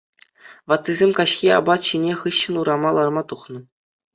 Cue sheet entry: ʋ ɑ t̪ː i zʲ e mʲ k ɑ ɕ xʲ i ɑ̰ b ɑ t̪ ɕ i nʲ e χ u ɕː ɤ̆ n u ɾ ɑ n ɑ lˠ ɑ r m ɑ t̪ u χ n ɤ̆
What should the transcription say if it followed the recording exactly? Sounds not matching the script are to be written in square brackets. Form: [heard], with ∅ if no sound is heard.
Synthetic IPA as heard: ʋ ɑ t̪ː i zʲ e mʲ k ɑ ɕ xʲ i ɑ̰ b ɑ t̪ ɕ i nʲ e χ [ɯ] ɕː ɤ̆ n u ɾ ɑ [m] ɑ lˠ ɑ r m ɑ t̪ u χ n ɤ̆